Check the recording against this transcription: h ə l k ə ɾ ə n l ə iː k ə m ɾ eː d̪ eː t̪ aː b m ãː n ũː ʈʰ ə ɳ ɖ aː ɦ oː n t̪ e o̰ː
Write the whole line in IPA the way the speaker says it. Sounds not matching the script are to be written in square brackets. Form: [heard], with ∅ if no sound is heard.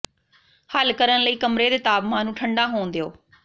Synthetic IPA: h ə l k ə ɾ ə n l ə iː k ə m ɾ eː d̪ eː t̪ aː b m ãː n ũː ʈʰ ə ɳ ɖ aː ɦ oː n [d̪] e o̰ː